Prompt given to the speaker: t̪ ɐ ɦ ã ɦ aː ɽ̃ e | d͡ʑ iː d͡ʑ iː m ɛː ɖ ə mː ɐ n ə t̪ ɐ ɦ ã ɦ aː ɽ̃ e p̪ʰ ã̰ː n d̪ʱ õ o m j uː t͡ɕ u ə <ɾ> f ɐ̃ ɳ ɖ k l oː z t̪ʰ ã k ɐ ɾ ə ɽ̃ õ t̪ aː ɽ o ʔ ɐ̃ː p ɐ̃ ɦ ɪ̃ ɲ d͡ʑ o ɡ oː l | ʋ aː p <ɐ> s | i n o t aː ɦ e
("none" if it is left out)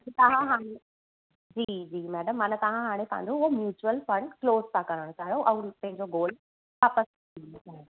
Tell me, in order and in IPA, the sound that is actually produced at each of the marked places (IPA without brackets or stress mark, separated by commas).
l, ə